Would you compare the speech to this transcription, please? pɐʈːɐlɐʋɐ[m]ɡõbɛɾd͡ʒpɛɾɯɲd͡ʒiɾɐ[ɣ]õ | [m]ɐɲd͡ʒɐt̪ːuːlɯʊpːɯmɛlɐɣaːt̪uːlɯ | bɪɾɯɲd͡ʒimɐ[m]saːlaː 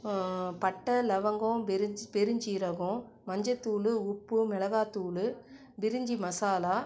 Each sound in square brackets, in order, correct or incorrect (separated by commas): incorrect, correct, correct, incorrect